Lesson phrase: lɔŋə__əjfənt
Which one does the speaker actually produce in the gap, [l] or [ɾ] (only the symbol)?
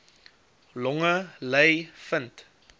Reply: l